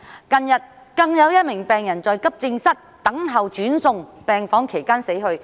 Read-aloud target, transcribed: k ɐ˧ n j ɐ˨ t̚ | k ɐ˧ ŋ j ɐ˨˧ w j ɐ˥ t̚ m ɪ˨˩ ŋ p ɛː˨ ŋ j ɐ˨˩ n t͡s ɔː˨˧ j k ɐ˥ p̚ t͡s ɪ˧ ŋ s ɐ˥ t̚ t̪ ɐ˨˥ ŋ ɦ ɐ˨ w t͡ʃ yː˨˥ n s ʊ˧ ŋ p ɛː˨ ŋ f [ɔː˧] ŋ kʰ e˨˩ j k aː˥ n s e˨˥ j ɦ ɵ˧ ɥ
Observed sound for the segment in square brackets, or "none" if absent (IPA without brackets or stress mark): ɔː˨˥